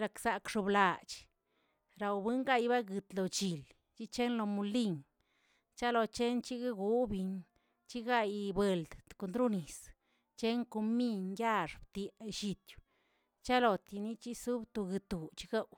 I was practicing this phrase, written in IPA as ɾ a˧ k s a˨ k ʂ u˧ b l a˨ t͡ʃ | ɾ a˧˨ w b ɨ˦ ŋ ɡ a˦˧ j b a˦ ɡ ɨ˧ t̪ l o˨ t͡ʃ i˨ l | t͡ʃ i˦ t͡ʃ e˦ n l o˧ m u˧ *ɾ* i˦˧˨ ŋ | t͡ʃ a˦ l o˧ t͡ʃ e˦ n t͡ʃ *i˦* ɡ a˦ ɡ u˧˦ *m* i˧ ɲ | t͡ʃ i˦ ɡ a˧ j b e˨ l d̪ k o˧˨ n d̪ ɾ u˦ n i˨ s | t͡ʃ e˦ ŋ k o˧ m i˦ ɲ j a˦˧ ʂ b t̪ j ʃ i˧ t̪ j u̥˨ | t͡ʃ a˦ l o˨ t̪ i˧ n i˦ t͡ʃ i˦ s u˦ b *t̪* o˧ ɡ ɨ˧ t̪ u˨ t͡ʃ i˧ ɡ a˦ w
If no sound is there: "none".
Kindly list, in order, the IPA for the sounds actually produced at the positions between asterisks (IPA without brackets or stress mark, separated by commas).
l, i˦, b, t̪